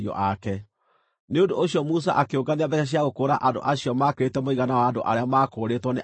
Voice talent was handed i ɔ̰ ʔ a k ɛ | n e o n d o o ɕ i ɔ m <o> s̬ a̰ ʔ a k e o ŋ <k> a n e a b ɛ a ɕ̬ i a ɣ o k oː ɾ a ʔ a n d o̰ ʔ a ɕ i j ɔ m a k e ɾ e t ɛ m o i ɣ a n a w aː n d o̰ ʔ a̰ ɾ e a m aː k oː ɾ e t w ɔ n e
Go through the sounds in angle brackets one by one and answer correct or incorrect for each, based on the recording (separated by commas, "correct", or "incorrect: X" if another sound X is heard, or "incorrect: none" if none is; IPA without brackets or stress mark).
incorrect: u, incorrect: ɡ